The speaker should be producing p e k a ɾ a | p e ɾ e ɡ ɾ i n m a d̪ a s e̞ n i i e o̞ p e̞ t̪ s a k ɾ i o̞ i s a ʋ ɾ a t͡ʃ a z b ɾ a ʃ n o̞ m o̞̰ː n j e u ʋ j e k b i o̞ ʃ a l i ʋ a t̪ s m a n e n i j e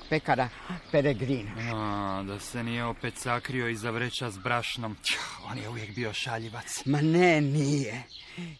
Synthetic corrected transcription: p e k a ɾ a | p e ɾ e ɡ ɾ i n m a d̪ a s e̞ n i j e o̞ p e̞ t̪ s a k ɾ i o̞ i z a ʋ ɾ e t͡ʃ a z b ɾ a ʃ n o̞ m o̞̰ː n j e u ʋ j e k b i o̞ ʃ a ʎ i ʋ a t̪ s m a n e n i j e